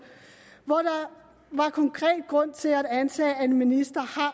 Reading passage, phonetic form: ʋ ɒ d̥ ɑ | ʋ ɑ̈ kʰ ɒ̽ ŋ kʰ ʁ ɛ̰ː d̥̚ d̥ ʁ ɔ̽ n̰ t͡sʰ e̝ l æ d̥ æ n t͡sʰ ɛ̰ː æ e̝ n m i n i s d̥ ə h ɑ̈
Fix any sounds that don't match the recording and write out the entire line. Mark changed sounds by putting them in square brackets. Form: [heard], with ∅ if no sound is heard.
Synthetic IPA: ʋ ɒ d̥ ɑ | ʋ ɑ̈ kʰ ɒ̽ ŋ kʰ ʁ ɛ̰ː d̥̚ [ɡ̥] ʁ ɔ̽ n̰ t͡sʰ e̝ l æ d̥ æ n t͡sʰ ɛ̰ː æ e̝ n m i n i s d̥ [ɐ] h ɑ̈